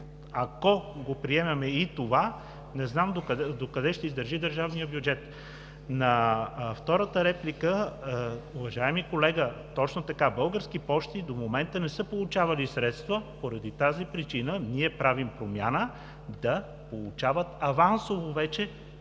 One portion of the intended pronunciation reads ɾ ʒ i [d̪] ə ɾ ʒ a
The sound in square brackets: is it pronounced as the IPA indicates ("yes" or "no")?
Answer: yes